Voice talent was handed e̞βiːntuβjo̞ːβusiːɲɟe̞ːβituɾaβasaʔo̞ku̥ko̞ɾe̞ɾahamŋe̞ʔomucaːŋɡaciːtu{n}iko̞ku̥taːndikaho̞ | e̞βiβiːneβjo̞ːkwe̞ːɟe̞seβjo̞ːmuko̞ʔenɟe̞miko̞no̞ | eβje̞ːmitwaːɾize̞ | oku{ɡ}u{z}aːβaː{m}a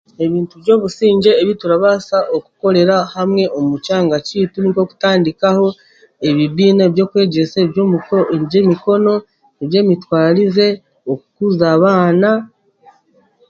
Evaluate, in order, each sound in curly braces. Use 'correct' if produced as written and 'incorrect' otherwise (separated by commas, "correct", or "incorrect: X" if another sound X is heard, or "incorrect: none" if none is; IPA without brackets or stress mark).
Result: correct, incorrect: k, correct, incorrect: n